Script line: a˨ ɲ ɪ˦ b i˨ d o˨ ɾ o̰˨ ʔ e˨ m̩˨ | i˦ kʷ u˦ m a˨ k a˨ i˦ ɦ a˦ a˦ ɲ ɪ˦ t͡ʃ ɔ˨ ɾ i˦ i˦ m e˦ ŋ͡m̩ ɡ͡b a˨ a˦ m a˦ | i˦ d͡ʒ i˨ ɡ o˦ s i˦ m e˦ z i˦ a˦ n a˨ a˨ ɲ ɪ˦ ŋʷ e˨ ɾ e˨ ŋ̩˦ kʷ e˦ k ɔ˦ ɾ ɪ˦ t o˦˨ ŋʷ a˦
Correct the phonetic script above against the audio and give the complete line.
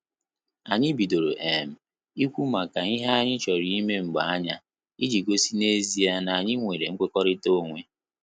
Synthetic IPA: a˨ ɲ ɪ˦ b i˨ d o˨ ɾ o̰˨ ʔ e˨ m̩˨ | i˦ kʷ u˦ m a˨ k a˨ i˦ ɦ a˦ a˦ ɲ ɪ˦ t͡ʃ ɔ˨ ɾ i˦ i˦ m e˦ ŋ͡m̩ ɡ͡b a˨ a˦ ɲ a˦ | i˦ d͡ʒ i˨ ɡ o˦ s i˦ n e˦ z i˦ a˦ n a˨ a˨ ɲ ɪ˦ ŋʷ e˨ ɾ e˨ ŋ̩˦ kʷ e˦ k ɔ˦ ɾ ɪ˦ t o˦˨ ŋʷ e˦

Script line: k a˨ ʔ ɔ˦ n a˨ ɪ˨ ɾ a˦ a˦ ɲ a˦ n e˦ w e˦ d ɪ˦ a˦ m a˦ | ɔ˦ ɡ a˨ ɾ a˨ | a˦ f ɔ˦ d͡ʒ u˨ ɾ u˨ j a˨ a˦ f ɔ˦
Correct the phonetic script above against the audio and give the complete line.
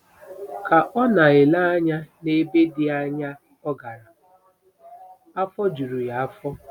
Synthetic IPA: k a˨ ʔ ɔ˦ n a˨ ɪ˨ l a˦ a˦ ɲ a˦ n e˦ b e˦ d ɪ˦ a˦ ɲ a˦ | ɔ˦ ɡ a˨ ɾ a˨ | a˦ f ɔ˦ d͡ʒ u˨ ɾ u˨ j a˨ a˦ f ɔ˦

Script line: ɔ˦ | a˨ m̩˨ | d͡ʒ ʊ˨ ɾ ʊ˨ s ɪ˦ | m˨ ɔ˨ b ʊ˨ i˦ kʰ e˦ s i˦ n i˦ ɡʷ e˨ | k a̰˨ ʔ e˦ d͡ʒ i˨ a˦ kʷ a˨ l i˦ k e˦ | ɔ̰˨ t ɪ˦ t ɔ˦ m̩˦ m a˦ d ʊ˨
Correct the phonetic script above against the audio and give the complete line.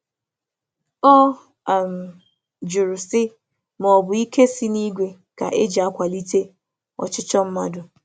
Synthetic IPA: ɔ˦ | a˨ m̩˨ | d͡ʒ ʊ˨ ɾ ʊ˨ s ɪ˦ | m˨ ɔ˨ b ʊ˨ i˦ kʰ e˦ s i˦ n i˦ ɡʷ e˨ | k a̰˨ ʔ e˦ d͡ʒ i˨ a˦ kʷ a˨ l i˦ t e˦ | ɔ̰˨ t͡ʃ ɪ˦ t͡ʃ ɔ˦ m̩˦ m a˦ d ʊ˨

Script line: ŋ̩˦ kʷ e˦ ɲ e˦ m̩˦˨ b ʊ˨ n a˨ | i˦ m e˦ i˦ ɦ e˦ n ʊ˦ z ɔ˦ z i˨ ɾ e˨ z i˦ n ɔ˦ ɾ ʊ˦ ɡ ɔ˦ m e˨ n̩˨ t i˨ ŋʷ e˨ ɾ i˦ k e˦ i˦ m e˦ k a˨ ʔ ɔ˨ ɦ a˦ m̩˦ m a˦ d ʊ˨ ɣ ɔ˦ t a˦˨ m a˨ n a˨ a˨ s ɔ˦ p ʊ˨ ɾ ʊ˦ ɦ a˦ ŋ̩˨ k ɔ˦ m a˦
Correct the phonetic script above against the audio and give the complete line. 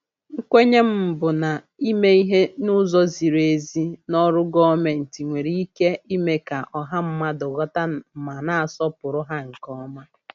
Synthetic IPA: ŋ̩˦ kʷ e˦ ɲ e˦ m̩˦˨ b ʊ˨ n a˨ | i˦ m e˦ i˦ ɦ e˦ n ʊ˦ z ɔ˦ z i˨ ɾ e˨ z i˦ n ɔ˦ ɾ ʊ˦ ɡ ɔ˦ m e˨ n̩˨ t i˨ ŋʷ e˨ ɾ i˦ k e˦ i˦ m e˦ k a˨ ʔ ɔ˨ ɦ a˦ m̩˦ m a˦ d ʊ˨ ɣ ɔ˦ t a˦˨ m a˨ n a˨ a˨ s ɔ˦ p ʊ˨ ɾ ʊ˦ ɦ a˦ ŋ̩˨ k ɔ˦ m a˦

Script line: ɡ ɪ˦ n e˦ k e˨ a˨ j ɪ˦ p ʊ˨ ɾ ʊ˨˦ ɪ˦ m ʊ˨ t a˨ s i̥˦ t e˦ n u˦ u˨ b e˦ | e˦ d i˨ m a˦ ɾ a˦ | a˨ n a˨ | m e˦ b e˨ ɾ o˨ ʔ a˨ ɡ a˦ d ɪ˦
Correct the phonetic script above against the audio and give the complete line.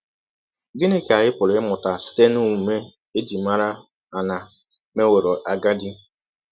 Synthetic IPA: ɡ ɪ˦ n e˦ k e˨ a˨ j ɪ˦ p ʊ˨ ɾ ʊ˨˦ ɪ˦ m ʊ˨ t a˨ s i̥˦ t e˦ n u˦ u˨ m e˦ | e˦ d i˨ m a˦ ɾ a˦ | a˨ n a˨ | m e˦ w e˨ ɾ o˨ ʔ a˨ ɡ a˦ d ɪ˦

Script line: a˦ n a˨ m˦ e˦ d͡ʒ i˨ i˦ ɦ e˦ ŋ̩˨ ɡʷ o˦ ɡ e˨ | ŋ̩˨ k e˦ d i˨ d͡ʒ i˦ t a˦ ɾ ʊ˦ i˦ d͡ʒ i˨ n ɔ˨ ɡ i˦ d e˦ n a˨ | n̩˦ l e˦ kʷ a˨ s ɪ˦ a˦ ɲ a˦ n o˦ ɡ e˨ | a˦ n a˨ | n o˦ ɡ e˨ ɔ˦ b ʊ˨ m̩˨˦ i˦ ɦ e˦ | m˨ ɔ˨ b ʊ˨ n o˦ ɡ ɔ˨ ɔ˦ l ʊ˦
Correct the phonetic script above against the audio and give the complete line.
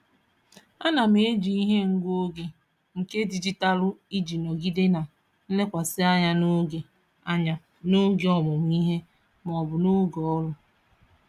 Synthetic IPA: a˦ n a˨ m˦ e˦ d͡ʒ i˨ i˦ ɦ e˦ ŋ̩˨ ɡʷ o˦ ɡ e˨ | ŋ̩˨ k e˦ d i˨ d͡ʒ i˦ t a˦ l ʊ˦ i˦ d͡ʒ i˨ n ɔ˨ ɡ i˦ d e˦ n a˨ | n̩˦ l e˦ kʷ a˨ s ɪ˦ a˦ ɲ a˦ n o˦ ɡ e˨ | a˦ ɲ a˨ | n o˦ ɡ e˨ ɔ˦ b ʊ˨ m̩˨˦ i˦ ɦ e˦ | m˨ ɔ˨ b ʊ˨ n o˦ ɡ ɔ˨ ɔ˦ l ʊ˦

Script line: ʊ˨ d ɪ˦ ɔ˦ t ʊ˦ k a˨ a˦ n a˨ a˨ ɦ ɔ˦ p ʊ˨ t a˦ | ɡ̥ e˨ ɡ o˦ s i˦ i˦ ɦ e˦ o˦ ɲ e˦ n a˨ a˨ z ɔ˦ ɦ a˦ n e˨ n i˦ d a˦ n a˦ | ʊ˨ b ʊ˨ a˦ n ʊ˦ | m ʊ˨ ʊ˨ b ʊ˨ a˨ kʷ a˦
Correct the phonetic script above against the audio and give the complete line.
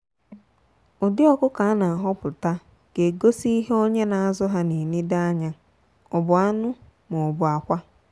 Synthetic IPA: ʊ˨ d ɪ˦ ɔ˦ k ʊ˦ k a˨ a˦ n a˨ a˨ ɦ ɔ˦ p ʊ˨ t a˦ | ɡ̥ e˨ ɡ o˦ s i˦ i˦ ɦ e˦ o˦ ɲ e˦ n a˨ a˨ z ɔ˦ ɦ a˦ n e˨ n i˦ d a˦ ɲ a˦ | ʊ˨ b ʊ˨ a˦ n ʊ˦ | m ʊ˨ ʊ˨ b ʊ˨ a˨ kʷ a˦

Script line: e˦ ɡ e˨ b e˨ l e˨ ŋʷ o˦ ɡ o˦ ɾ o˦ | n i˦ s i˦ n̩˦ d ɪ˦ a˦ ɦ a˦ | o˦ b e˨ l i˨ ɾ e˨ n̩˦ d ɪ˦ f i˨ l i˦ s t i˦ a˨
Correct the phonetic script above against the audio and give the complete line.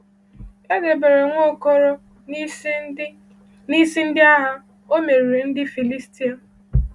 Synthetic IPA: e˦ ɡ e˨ b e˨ ɾ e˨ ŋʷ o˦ k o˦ ɾ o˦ | n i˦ s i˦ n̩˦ d ɪ˦ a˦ ɦ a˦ | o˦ m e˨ ɾ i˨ ɾ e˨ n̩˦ d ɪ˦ f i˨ l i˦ s t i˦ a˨

